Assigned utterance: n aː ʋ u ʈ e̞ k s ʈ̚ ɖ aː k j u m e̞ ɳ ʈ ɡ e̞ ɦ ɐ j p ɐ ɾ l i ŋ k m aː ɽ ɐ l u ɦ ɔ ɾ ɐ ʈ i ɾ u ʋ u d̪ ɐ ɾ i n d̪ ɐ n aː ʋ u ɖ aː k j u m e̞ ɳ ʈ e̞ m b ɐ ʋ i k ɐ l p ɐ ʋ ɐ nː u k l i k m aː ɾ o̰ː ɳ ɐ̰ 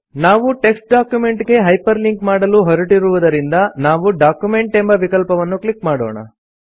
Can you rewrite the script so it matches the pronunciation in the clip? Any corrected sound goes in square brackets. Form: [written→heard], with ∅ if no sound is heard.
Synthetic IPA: n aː ʋ u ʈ e̞ k s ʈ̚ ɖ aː k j u m e̞ ɳ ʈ ɡ e̞ ɦ ɐ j p ɐ ɾ l i ŋ k m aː ɽ ɐ l u ɦ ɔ ɾ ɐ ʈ i ɾ u ʋ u d̪ ɐ ɾ i n d̪ ɐ n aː ʋ u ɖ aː k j u m e̞ ɳ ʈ e̞ m b ɐ ʋ i k ɐ l p ɐ ʋ ɐ nː u k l i k m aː [ɾ→ɽ] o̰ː ɳ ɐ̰